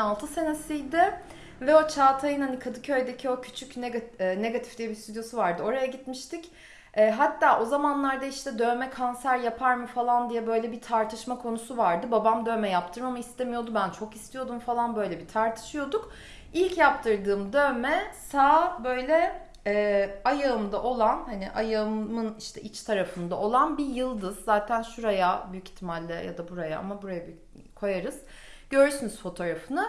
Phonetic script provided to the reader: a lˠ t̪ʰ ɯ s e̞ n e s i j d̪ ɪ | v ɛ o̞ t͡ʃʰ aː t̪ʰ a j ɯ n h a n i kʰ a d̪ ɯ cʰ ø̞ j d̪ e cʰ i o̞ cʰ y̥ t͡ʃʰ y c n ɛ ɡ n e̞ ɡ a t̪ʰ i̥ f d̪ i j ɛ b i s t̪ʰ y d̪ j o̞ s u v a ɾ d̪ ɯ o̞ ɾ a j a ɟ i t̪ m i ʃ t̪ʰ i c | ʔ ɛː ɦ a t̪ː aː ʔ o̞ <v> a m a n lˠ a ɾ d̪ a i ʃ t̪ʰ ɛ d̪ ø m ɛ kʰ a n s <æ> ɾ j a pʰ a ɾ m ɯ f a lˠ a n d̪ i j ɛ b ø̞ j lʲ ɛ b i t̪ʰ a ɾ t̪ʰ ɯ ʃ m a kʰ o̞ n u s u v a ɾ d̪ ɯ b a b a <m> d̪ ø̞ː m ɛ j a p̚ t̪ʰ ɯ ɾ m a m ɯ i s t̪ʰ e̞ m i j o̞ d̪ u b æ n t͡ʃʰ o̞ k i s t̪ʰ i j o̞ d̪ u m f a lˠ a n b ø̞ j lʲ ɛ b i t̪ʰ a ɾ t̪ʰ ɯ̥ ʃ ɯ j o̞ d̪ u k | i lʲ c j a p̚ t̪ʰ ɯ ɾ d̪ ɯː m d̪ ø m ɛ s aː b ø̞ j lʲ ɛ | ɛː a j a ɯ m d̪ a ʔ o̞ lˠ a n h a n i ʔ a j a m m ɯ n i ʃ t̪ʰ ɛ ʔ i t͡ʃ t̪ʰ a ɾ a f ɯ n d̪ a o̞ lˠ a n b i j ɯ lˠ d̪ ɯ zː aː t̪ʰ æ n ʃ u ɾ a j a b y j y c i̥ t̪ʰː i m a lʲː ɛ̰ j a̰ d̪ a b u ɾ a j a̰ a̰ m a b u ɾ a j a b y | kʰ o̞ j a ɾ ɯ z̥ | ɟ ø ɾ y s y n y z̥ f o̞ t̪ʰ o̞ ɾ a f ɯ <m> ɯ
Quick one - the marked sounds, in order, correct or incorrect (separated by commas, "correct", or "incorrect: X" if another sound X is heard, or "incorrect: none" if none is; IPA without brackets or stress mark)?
incorrect: z, correct, correct, incorrect: n